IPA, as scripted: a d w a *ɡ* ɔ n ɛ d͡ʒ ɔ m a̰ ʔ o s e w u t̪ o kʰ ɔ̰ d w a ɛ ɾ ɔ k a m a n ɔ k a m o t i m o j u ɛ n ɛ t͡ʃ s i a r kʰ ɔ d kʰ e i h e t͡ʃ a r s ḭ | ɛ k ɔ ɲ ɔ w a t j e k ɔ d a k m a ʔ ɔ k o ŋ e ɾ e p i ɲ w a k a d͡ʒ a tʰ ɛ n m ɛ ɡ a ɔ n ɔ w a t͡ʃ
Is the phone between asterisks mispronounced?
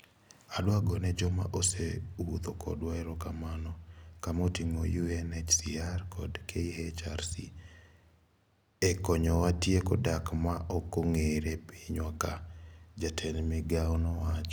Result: no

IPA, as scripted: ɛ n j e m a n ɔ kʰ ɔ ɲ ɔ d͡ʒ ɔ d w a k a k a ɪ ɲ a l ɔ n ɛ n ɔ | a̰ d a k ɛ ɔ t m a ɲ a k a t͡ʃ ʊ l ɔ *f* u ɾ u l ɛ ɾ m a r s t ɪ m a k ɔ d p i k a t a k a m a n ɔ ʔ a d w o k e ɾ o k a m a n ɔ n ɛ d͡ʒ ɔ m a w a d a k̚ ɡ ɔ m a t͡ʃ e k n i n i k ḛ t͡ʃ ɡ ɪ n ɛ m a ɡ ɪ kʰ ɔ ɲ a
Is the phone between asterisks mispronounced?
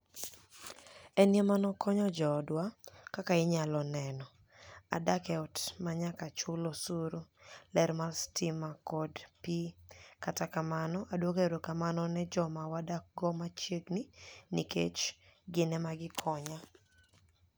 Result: yes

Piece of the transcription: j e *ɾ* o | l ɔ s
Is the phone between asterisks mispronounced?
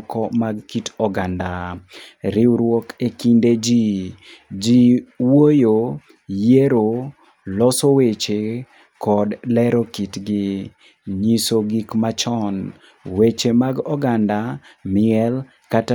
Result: no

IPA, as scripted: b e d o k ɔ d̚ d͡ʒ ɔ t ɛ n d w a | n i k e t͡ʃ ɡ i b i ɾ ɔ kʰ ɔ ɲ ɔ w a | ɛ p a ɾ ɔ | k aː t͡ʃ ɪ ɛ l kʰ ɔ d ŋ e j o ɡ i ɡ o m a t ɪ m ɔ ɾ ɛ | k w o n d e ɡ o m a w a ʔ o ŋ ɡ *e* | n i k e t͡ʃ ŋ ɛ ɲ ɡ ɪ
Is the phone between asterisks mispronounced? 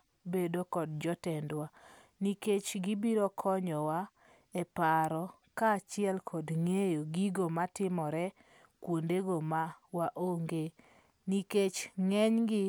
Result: no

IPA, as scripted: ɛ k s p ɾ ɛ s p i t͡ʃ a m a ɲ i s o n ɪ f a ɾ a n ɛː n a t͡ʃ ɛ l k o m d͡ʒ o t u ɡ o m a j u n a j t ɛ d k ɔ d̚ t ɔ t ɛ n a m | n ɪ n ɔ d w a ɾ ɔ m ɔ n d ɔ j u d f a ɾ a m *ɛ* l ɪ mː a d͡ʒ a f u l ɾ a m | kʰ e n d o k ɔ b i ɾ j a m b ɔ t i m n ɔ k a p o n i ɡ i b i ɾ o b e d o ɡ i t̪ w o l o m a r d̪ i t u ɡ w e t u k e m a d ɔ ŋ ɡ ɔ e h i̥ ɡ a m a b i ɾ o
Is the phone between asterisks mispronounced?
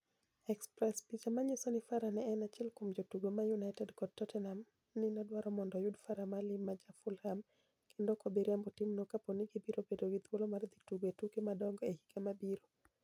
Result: yes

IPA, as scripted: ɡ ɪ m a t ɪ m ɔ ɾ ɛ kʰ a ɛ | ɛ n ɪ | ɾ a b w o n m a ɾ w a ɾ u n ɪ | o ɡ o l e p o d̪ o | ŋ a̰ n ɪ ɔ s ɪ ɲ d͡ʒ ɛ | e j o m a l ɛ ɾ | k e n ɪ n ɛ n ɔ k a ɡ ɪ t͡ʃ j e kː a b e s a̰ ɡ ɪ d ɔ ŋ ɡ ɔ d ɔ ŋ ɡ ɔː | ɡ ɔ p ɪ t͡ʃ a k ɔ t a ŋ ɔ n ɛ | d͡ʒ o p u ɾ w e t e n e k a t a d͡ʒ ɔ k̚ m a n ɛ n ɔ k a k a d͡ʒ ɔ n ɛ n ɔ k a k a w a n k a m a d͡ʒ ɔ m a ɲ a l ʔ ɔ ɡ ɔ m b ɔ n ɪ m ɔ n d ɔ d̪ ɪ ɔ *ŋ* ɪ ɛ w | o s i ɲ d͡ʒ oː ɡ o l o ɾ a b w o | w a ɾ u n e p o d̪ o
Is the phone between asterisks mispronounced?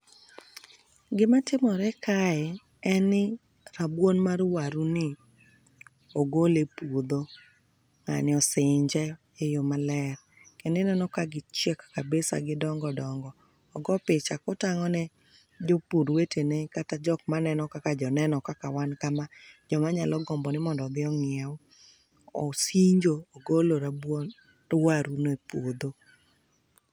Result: no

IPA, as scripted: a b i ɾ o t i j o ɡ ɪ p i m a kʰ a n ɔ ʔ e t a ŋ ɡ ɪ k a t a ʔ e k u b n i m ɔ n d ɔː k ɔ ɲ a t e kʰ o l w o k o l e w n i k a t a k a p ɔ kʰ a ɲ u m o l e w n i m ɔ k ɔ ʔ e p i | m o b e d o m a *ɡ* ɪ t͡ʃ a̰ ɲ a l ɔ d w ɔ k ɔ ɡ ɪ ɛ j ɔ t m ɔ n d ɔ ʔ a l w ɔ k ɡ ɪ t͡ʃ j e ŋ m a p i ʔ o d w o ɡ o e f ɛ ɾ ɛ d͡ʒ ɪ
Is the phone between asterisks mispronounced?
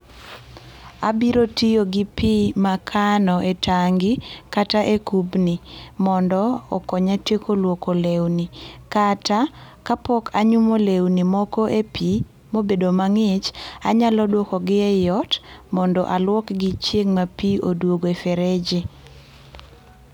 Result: yes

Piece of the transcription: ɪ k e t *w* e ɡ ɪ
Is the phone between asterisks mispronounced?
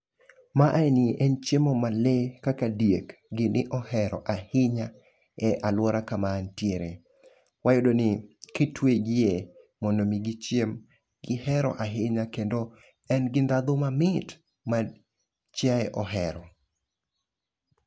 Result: no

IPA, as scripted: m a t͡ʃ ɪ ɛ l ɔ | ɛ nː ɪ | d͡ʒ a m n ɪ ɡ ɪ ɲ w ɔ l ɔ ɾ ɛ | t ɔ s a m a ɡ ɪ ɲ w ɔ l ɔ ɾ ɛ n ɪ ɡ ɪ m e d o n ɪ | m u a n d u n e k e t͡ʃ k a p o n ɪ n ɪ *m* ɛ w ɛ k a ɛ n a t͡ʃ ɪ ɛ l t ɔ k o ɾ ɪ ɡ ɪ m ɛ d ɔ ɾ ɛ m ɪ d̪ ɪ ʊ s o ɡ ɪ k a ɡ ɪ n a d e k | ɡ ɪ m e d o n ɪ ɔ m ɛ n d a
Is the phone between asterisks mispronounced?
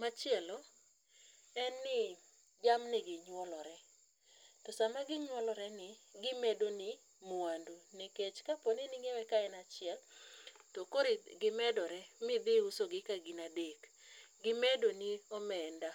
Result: yes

